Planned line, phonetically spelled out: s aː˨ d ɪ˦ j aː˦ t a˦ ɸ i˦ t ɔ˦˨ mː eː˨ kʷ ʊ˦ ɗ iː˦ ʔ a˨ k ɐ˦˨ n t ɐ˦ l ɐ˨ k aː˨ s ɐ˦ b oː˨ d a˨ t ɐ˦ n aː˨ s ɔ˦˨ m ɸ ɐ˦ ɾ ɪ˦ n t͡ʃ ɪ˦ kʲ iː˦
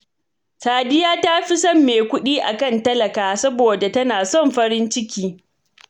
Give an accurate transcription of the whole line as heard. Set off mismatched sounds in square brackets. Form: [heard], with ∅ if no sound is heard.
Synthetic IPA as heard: s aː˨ d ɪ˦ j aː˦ t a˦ ɸ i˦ [s] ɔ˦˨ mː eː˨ kʷ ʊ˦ ɗ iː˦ ʔ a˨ k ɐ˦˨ n t ɐ˦ l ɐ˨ k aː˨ s ɐ˦ b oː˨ d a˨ t ɐ˦ n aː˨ s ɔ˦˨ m ɸ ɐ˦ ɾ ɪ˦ n t͡ʃ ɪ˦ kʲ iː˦